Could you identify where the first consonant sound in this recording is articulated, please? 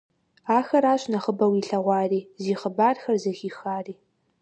velar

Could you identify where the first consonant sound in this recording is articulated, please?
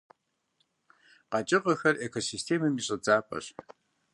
uvular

